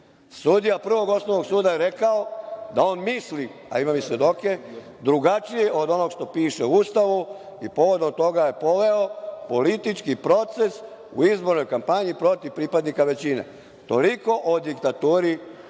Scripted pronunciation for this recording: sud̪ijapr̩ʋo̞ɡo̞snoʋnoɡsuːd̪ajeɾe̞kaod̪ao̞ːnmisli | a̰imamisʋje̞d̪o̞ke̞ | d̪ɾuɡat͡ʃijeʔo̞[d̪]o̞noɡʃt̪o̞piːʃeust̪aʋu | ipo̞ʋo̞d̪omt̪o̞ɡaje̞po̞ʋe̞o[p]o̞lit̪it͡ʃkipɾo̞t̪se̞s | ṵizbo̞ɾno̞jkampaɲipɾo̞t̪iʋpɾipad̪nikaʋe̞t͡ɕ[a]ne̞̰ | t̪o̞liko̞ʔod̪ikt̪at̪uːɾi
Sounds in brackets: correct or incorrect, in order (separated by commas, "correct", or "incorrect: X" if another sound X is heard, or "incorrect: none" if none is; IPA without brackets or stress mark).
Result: correct, correct, incorrect: i